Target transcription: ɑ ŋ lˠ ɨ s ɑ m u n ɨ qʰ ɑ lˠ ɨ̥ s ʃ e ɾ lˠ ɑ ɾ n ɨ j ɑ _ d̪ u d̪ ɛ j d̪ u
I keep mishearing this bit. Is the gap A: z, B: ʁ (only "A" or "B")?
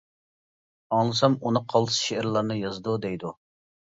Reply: A